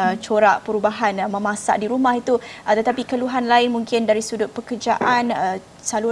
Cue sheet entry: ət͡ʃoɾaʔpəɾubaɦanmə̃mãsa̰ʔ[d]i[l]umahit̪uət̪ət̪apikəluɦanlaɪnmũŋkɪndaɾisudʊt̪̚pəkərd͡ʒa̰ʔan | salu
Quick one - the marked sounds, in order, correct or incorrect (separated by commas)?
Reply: correct, incorrect